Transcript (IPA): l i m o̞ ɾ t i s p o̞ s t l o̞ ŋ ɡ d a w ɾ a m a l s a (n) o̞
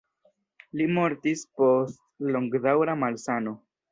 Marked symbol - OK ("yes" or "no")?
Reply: yes